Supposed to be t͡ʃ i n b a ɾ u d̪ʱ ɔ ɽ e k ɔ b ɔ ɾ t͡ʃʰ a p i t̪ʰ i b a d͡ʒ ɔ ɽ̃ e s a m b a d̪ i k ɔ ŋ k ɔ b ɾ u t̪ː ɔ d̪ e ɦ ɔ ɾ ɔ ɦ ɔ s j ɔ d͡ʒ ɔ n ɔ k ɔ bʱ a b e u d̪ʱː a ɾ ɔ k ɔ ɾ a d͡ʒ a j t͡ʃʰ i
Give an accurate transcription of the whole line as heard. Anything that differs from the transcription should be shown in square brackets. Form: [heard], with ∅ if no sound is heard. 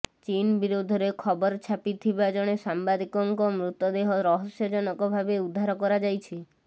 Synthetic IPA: t͡ʃ i n b [i] ɾ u d̪ʱ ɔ [ɾ] e [kʰ] ɔ b ɔ ɾ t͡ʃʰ a p i t̪ʰ i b a d͡ʒ ɔ ɽ̃ e s a m b a d̪ i k ɔ ŋ k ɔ [m] ɾ u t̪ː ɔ d̪ e ɦ ɔ ɾ ɔ ɦ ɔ s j ɔ d͡ʒ ɔ n ɔ k ɔ bʱ a b e u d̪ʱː a ɾ ɔ k ɔ ɾ a d͡ʒ a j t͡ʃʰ i